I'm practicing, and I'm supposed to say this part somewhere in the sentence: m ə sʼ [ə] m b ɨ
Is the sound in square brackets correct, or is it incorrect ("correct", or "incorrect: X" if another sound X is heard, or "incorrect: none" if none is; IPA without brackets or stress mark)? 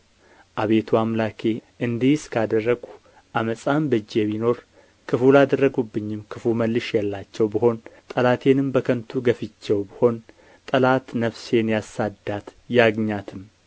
incorrect: a